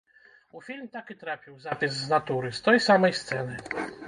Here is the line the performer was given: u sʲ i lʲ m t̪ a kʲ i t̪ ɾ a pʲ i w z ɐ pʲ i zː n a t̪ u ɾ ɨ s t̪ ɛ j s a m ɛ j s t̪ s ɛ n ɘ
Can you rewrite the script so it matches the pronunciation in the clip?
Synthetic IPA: u fʲ i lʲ m t̪ a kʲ i t̪ ɾ a pʲ i w z a pʲ i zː n a t̪ u ɾ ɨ s t̪ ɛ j s a m ɛ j s t̪ s ɛ n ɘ